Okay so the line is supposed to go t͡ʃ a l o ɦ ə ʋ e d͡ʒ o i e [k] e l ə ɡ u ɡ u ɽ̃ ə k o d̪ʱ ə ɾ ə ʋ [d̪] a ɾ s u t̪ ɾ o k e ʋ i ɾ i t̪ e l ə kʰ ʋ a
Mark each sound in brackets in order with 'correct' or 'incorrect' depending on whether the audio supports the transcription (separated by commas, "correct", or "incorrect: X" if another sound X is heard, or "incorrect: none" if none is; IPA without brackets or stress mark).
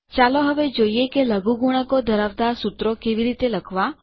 correct, correct